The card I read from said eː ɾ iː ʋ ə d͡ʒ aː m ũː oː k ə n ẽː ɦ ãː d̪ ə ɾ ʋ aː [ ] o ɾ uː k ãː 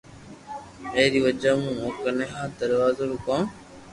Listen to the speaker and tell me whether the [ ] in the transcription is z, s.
z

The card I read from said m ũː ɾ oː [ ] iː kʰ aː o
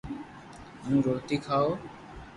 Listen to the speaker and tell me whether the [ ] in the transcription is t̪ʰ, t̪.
t̪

